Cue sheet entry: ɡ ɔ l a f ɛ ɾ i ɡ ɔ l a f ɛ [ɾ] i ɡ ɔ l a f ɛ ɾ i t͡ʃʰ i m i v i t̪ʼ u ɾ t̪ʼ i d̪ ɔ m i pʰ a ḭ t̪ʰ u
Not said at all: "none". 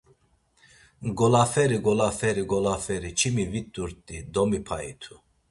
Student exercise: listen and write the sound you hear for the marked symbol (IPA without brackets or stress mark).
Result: ɾ